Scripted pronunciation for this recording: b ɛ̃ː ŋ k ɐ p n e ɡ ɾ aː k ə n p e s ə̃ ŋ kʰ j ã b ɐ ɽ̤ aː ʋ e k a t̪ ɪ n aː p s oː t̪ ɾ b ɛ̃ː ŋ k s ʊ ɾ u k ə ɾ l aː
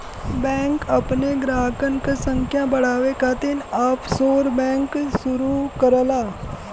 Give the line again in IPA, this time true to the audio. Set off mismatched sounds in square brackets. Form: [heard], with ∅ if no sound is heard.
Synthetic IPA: b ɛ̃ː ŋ k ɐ p n e ɡ ɾ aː k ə n [k] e s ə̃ ŋ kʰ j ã b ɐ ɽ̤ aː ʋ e k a t̪ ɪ n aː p s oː [∅] ɾ b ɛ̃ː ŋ k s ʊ ɾ u k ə ɾ l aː